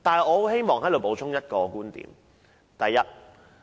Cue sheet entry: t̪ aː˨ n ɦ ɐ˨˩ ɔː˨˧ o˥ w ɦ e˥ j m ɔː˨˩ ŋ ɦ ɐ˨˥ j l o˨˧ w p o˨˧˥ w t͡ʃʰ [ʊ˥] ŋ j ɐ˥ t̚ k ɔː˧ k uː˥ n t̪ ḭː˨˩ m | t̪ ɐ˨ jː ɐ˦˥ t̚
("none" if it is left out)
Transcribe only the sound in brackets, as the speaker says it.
ʊ˥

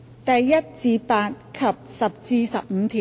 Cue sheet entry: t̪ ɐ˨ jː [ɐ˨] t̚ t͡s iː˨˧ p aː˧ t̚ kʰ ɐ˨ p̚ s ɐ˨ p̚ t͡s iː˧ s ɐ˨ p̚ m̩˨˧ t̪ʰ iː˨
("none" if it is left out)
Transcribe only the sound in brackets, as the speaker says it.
ɐ˥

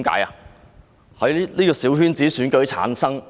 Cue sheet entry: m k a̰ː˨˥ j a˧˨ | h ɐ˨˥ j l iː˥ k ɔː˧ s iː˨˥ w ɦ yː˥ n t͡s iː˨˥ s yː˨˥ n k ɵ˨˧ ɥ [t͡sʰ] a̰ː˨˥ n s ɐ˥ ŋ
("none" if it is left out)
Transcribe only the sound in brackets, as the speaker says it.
t͡sʰ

